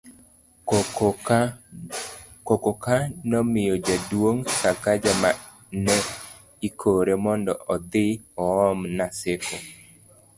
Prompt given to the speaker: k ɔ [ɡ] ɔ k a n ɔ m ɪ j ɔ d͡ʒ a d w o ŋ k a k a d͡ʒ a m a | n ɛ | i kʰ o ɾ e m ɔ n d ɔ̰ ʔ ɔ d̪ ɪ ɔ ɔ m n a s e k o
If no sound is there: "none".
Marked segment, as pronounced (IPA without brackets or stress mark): k